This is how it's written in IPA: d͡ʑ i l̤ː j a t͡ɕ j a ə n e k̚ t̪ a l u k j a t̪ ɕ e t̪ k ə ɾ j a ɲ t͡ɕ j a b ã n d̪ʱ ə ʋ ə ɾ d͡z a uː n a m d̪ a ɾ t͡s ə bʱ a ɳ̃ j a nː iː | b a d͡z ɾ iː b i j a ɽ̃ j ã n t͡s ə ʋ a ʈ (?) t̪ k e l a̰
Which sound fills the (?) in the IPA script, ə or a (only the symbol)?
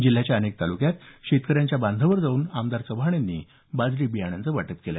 ə